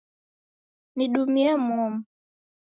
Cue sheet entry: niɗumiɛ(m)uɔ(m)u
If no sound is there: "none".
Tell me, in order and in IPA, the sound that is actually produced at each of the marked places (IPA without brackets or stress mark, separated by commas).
m, m